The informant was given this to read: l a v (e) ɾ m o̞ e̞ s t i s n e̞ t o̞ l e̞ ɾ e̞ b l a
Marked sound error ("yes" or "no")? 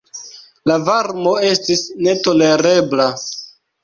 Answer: yes